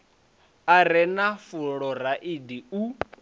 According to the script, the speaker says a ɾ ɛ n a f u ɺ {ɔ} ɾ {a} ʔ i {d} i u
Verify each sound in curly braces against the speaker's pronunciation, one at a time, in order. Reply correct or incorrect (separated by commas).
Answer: correct, correct, correct